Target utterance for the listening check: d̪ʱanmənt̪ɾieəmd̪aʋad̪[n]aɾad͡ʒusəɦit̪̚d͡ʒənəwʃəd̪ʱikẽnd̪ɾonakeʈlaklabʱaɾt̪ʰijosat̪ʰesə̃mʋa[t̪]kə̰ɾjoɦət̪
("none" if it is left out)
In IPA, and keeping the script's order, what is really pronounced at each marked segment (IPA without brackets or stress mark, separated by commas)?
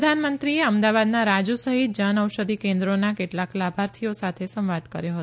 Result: n, d̪